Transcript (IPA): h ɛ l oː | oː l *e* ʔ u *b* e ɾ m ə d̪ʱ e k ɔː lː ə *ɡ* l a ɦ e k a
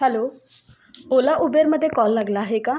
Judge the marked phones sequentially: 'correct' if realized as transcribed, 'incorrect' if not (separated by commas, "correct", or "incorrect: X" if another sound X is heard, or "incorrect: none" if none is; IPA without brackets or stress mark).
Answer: incorrect: a, correct, correct